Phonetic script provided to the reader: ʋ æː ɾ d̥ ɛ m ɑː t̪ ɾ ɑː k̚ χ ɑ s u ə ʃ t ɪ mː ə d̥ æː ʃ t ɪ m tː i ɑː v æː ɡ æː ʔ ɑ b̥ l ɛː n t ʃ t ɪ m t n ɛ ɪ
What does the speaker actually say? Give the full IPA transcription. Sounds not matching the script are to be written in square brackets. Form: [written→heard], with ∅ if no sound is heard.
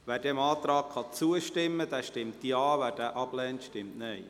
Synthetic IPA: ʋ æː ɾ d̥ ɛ m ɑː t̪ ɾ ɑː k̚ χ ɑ [s→t͡s] u ə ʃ t ɪ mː ə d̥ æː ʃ t ɪ m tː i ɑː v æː [ɡ→d] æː ʔ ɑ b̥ l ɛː n t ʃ t ɪ m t n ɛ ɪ